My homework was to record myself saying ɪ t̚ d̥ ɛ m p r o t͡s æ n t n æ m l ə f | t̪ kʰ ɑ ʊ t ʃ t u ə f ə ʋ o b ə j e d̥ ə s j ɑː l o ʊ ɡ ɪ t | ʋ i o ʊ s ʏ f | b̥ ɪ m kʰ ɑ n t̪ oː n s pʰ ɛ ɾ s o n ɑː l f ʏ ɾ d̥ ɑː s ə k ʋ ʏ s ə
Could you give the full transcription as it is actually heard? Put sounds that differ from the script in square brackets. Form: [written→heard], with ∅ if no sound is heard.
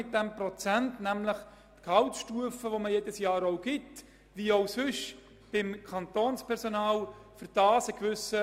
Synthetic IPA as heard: ɪ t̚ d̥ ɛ m p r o t͡s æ n t n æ m l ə [f→χ] | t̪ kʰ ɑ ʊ t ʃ t u ə f ə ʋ o [b→m] ə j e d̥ ə s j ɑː [l→ɾ] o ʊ ɡ ɪ t | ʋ i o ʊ s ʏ [f→ʃ] | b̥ ɪ m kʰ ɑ n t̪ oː n s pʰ ɛ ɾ s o n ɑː l f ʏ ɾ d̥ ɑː s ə k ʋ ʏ s ə